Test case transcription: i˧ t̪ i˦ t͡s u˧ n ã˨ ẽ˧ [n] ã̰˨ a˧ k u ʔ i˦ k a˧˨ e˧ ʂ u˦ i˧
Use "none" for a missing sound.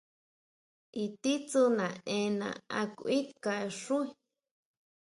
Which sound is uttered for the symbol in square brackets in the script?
n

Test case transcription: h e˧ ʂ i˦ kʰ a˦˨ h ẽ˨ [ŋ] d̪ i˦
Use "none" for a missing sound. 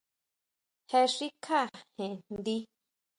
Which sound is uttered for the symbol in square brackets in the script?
n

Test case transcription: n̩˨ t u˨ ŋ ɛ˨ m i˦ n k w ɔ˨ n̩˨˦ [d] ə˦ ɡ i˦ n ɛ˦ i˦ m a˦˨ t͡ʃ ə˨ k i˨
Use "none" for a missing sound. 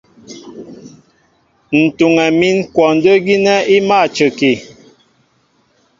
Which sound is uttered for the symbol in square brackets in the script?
d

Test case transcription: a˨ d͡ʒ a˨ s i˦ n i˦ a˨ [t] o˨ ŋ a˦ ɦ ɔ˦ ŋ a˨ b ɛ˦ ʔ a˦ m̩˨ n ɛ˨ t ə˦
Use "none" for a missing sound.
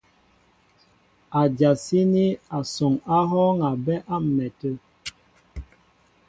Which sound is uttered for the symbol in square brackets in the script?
s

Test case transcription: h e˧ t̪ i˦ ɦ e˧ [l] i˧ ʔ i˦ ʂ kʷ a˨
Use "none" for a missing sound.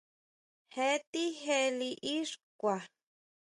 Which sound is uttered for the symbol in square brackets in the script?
l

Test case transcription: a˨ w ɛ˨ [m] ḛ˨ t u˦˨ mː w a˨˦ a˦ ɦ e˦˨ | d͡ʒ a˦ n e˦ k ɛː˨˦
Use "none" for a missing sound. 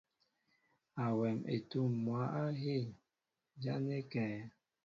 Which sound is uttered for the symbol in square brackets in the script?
m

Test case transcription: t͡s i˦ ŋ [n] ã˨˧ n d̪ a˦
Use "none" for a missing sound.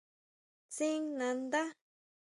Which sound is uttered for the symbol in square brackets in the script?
n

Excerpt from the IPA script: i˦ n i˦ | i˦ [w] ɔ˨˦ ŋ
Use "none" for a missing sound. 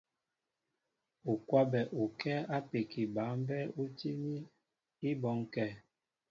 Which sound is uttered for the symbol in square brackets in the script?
b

